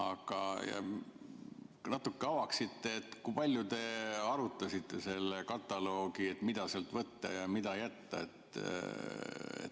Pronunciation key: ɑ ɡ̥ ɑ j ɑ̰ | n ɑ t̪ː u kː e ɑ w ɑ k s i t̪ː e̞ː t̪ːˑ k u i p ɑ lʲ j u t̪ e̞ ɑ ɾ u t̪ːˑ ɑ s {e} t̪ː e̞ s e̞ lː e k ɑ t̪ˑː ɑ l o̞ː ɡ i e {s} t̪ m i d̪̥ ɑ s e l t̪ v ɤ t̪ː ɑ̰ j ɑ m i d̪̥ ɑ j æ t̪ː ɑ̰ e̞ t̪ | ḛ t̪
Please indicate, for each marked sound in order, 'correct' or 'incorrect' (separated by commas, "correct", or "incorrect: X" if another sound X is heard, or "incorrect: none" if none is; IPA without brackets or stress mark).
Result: incorrect: i, incorrect: none